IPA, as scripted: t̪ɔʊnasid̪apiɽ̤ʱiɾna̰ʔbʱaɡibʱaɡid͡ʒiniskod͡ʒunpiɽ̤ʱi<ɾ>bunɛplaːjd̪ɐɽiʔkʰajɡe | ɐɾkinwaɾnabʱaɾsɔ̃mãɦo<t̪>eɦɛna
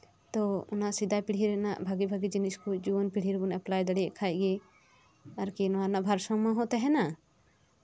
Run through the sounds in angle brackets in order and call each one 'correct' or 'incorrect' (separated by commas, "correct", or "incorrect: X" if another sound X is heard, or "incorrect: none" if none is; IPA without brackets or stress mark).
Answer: correct, correct